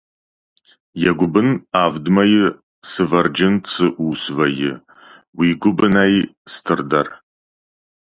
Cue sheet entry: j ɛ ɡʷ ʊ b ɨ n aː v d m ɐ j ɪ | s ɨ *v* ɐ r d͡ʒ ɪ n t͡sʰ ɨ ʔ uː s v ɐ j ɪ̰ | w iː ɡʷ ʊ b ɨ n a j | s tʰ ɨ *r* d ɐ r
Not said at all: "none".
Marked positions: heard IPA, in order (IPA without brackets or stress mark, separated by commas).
v, r